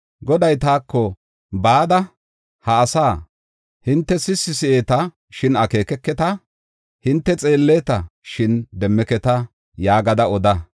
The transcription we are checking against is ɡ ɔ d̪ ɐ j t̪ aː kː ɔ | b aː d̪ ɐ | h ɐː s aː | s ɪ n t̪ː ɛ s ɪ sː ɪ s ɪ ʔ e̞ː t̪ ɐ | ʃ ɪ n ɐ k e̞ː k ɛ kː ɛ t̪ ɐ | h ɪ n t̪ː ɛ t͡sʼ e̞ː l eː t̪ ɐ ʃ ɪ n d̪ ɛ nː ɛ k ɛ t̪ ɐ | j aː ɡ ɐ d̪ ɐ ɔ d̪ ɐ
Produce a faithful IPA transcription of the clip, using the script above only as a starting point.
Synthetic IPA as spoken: ɡ ɔ d̪ ɐ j t̪ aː kː ɔ | b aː d̪ ɐ | h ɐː s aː | h ɪ n t̪ː ɛ s ɪ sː ɪ s ɪ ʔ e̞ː t̪ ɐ | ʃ ɪ n ɐ k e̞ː k ɛ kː ɛ t̪ ɐ | h ɪ n t̪ː ɛ t͡sʼ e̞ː lː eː t̪ ɐ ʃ ɪ n d̪ ɛ mː ɛ k ɛ t̪ ɐ | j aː ɡ ɐ d̪ ɐ ɔ d̪ ɐ